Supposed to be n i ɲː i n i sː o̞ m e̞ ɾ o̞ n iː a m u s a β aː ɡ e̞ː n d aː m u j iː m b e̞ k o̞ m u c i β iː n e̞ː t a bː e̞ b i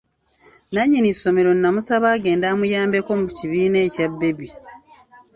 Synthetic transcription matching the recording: n a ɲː i n i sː o̞ m e̞ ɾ o̞ n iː a m u s a β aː ɡ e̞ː n d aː m u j aː m b e̞ k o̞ m u c i β iː n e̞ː c a bː e̞ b i